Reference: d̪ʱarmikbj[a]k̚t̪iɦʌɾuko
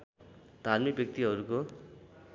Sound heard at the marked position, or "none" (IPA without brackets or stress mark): ʌ